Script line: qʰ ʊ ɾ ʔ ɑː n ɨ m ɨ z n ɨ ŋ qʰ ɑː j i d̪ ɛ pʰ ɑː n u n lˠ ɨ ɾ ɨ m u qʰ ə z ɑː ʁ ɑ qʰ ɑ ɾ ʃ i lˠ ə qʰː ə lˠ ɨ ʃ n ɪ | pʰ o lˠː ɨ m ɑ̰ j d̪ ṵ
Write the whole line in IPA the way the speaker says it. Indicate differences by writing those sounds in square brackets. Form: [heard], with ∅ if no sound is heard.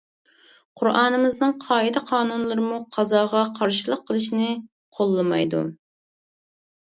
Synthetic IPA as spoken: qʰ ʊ ɾ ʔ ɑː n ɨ m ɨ z n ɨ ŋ qʰ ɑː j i d̪ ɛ [qʰ] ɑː n u n lˠ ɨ ɾ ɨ m u qʰ [ɑ] z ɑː ʁ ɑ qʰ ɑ ɾ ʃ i lˠ ə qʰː ə lˠ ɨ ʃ n ɪ | [qʰ] o lˠː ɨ m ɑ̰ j d̪ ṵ